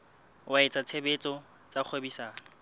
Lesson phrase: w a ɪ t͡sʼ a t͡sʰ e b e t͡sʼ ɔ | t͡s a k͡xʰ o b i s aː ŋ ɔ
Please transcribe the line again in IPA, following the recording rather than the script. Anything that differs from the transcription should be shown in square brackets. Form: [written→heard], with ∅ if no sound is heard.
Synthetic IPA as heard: w a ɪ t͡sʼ a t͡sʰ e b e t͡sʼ ɔ | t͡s a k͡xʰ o b i s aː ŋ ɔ